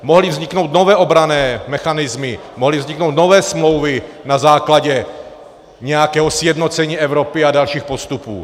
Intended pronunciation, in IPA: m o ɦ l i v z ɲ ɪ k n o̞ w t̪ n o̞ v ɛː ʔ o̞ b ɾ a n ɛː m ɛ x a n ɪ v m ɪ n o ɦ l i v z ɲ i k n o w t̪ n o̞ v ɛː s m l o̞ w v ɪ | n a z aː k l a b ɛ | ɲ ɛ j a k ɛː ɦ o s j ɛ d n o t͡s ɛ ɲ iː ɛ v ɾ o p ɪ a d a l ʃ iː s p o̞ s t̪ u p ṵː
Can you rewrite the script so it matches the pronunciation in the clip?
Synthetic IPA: m o ɦ l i v z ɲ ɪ k n o̞ w t̪ n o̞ v ɛː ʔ o̞ b ɾ a n ɛː m ɛ x a n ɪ z m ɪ m o ɦ l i v z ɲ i k n o w t̪ n o̞ v ɛː s m l o̞ w v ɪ | n a z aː k l a ɟ ɛ | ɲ ɛ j a k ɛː ɦ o s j ɛ d n o t͡s ɛ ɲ iː ɛ v ɾ o p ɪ a d a l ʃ iː x p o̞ s t̪ u p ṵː